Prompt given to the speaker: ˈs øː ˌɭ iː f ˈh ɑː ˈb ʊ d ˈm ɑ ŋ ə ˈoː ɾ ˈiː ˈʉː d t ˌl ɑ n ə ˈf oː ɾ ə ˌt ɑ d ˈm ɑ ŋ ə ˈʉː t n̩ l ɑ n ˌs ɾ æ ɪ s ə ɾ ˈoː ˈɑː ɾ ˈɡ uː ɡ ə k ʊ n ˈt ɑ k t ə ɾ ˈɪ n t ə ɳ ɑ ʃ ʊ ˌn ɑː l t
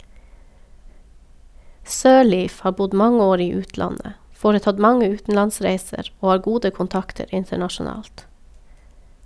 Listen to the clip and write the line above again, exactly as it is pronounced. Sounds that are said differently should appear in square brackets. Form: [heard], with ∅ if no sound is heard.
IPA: ˈs øː ˌɭ iː f ˈh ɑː ˈb ʊ d ˈm ɑ ŋ ə ˈoː ɾ ˈiː ˈʉː [∅] t ˌl ɑ n ə ˈf oː ɾ ə ˌt ɑ d ˈm ɑ ŋ ə ˈʉː t n̩ l ɑ n ˌs ɾ æ ɪ s ə ɾ ˈoː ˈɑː ɾ ˈɡ uː [d] ə k ʊ n ˈt ɑ k t ə ɾ ˈɪ n t ə ɳ ɑ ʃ ʊ ˌn ɑː l t